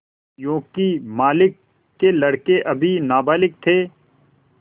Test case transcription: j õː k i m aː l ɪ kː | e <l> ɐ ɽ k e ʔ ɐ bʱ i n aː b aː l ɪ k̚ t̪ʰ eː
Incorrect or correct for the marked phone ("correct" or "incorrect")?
correct